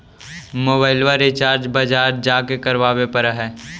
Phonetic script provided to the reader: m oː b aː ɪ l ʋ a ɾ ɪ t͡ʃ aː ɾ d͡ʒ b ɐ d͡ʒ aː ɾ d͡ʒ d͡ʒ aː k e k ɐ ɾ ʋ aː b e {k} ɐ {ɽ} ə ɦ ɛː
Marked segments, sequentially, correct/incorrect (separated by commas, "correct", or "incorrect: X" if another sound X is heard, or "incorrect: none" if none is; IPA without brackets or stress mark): incorrect: p, incorrect: ɾ